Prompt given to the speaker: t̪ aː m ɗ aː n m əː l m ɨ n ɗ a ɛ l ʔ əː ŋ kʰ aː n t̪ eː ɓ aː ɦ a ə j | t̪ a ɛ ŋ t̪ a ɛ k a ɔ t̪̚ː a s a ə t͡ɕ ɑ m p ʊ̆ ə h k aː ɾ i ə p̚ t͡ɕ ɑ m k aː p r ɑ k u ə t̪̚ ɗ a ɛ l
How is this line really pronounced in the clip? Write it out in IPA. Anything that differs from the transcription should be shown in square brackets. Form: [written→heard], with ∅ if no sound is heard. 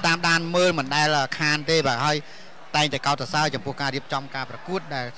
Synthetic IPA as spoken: t̪ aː m ɗ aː n m əː l m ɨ n ɗ a ɛ l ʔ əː [ŋ→∅] kʰ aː n t̪ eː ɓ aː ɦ a ə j | t̪ a ɛ ŋ t̪ a ɛ k a ɔ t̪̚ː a s a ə t͡ɕ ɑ m p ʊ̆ ə h k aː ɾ i ə p̚ t͡ɕ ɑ m k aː p r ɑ k u ə t̪̚ ɗ a ɛ l